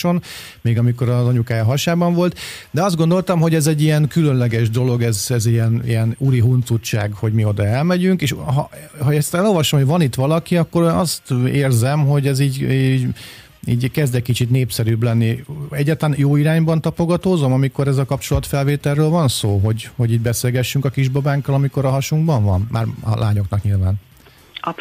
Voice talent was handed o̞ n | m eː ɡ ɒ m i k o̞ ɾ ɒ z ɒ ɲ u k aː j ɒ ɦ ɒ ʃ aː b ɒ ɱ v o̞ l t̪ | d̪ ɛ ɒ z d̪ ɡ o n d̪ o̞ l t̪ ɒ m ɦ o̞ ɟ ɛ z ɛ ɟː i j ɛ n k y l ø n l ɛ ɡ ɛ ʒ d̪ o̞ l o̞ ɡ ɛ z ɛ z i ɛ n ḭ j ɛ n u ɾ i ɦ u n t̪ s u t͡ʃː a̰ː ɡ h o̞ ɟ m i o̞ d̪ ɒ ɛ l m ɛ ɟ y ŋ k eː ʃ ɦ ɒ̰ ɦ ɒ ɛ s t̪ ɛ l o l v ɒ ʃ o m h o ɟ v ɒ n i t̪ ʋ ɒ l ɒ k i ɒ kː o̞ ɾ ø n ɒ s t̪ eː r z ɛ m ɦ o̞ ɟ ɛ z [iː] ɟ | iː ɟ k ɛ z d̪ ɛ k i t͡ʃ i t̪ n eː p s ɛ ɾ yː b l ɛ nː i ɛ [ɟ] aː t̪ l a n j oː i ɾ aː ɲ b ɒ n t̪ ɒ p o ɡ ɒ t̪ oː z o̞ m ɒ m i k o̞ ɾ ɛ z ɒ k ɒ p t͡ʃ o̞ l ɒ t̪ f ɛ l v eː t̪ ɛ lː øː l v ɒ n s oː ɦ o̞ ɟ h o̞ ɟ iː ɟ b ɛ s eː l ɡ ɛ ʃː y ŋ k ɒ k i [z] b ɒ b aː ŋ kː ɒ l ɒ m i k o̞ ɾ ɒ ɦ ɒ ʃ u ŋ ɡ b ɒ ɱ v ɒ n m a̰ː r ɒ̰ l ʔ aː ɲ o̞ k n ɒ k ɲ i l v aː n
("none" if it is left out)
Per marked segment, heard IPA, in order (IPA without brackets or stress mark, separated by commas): iː, ɟː, ʒ